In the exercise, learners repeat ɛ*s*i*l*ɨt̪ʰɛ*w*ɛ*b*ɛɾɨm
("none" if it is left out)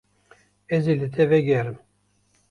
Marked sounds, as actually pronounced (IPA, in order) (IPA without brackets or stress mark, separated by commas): z, l, v, ɡ